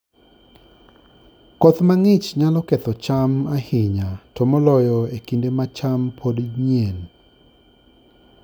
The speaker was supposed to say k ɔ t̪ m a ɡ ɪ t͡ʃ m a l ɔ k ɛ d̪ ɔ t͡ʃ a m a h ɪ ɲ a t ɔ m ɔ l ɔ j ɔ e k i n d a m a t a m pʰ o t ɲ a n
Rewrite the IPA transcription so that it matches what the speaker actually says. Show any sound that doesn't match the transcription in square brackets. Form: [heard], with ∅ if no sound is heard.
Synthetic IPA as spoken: k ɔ t̪ m a [ŋ] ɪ t͡ʃ [ɲ] a l ɔ k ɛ [t̪] ɔ t͡ʃ a m a h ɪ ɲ a t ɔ m ɔ l ɔ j ɔ e k i n d [e] m a [t͡ʃ] a m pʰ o [d] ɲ [e] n